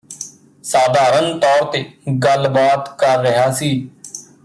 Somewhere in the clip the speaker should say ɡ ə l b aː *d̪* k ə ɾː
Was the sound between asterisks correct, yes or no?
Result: no